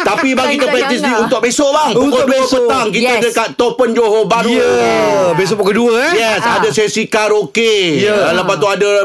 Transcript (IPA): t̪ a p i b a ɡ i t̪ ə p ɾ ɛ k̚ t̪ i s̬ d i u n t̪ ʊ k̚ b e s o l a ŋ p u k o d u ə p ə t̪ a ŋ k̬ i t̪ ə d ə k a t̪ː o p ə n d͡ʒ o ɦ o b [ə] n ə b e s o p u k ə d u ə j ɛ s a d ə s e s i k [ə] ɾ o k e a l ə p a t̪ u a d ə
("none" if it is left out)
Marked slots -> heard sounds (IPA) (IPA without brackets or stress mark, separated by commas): a, a